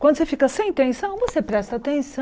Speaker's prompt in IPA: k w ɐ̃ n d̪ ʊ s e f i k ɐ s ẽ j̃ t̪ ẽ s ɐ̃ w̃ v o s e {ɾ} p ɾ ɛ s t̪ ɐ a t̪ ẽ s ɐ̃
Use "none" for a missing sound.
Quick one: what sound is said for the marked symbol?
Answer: none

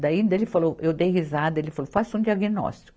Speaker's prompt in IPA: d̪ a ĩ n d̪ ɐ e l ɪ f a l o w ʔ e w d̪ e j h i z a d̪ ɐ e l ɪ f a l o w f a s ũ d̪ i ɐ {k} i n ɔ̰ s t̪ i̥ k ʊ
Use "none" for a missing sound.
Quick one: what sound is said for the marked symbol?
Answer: ɡ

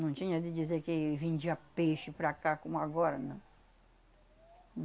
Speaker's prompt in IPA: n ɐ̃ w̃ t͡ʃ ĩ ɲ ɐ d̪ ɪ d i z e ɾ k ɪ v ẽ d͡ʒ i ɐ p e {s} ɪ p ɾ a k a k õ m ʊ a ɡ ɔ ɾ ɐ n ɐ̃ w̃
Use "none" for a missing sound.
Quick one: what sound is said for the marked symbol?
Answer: ʃ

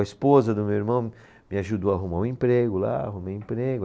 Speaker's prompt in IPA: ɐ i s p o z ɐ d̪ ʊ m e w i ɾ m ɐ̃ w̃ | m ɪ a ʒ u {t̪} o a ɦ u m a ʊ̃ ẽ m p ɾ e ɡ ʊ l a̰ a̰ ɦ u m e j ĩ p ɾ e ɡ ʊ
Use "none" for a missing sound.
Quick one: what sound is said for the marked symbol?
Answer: d̪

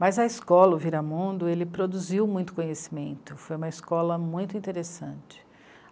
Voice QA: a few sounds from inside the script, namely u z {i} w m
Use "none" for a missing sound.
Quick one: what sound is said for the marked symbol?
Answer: i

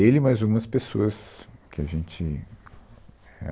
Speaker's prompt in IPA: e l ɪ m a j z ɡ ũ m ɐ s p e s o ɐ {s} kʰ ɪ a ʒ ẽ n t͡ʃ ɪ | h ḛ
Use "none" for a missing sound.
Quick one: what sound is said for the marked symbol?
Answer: s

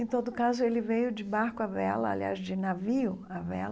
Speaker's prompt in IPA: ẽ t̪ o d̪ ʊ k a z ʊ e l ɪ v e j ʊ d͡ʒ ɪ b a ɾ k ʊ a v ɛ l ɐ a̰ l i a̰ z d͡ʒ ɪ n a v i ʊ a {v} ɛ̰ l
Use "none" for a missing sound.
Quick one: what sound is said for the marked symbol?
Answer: v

